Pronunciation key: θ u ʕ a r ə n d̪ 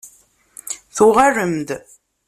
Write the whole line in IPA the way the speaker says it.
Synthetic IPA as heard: θ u ʁ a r ə m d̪